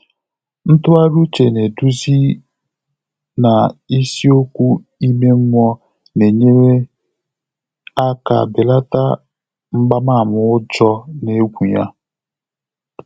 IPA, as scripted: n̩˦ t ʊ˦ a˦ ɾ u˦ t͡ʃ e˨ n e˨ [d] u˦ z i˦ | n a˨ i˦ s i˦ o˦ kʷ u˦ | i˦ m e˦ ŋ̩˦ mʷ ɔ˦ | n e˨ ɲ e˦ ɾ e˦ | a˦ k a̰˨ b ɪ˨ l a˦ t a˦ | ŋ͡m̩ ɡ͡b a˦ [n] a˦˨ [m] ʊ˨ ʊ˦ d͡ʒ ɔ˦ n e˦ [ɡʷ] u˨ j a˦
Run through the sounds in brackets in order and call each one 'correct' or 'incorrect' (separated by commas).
correct, incorrect, correct, correct